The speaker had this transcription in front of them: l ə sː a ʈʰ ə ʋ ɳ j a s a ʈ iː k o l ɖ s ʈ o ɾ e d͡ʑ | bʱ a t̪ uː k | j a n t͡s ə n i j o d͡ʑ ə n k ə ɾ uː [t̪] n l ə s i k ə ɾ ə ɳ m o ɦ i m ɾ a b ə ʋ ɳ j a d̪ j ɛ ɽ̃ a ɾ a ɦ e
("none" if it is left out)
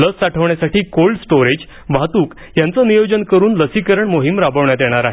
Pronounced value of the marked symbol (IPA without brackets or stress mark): none